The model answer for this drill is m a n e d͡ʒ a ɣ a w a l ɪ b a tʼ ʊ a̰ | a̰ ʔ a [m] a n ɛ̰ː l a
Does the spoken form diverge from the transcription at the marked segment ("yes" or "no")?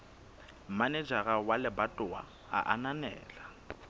yes